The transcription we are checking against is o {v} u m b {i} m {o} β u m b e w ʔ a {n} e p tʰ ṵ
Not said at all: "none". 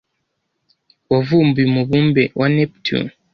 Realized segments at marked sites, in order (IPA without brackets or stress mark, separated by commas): v, i, u, n